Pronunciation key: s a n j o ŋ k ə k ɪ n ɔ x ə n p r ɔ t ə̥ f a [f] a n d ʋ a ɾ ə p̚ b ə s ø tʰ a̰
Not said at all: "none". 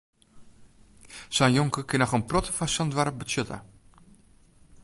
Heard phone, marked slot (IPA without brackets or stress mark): s